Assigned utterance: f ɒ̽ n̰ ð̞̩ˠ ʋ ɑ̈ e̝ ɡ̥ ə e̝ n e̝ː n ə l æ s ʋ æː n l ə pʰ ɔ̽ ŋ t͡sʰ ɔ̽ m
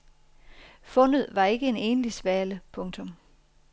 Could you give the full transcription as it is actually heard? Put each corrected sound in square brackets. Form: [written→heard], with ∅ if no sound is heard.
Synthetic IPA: f [ɒ̽→ɔ̽] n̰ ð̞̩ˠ ʋ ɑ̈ e̝ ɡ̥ ə e̝ n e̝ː n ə l [æ→i] s ʋ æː [n→∅] l ə pʰ ɔ̽ ŋ t͡sʰ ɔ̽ m